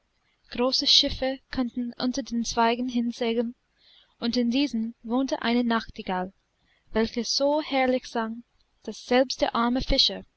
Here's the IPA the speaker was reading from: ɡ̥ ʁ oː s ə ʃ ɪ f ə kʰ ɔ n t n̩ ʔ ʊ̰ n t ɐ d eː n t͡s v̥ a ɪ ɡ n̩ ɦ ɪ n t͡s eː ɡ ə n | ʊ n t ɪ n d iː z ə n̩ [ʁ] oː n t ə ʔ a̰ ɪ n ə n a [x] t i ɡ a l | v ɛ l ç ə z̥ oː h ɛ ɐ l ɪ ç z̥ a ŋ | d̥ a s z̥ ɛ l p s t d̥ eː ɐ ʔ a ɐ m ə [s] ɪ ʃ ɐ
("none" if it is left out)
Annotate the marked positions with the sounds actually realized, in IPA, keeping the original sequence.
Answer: v, x, f

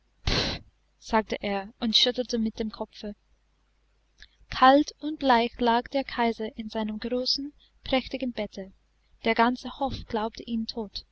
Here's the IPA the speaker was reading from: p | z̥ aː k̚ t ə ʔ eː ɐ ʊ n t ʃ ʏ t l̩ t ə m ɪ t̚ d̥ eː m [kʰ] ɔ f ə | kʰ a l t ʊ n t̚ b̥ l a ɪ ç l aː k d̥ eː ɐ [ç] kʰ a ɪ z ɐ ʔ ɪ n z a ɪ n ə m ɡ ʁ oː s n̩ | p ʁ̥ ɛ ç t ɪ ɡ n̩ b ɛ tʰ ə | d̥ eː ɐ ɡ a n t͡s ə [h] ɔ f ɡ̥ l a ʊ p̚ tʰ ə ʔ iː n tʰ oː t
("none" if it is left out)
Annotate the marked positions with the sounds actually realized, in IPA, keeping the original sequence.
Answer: kʰ, none, h

